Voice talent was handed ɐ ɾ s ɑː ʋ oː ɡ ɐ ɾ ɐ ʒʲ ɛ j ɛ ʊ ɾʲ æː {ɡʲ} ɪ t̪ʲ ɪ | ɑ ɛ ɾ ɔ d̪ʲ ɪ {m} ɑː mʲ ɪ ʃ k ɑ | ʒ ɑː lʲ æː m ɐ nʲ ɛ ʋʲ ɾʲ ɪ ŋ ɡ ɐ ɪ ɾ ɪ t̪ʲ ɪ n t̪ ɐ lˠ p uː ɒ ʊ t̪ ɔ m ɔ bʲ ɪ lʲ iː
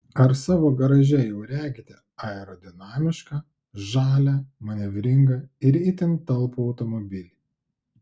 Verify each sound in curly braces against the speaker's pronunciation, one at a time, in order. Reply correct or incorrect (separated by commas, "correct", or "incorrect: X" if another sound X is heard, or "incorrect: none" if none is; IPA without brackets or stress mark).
correct, incorrect: n